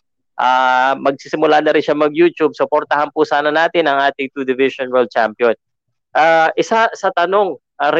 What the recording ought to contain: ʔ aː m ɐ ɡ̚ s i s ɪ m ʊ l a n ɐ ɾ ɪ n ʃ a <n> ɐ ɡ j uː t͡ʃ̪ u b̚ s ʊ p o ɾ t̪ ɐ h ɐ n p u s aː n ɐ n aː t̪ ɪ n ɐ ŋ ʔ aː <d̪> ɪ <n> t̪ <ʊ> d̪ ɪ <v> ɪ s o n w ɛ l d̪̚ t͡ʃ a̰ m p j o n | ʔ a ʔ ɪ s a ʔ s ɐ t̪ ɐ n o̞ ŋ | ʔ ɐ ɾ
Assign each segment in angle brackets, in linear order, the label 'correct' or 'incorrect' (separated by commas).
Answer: incorrect, incorrect, incorrect, incorrect, correct